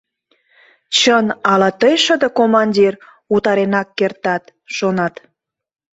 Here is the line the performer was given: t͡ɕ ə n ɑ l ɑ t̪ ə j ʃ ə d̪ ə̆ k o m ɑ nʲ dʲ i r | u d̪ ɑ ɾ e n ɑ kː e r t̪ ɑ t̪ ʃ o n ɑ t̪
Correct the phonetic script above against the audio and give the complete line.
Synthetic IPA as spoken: t͡ɕ ə n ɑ l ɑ t̪ ə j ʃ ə d̪ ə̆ k o m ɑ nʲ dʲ i r | u t̪ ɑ ɾ e n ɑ kː e r t̪ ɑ t̪ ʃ o n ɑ t̪